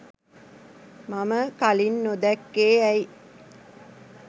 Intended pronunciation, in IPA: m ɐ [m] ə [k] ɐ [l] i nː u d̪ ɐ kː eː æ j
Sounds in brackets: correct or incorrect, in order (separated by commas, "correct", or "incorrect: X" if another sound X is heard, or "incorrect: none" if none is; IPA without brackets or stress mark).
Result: correct, correct, correct